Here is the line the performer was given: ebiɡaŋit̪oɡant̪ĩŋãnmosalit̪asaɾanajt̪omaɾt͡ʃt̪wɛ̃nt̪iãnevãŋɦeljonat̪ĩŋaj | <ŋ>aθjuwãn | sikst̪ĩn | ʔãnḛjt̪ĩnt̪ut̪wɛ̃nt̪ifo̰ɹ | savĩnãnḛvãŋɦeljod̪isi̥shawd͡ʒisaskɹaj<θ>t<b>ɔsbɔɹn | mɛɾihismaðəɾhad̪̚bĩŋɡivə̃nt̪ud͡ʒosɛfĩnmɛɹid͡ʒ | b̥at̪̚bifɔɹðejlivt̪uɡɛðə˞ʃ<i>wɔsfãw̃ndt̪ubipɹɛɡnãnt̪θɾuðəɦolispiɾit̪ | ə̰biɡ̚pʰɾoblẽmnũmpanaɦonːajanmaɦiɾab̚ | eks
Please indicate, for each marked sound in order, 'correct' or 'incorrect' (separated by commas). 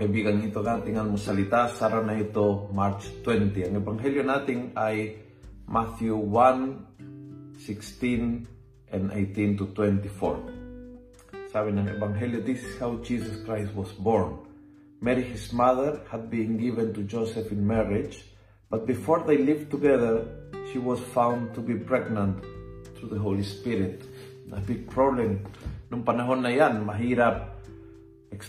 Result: incorrect, incorrect, incorrect, correct